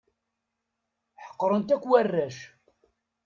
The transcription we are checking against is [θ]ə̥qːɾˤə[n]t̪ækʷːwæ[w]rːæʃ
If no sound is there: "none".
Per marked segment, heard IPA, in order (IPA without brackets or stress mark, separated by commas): ħ, n, none